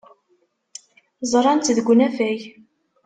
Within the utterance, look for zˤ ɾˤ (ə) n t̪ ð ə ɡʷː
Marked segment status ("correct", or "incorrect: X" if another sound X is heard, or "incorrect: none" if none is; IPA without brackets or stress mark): incorrect: ɑ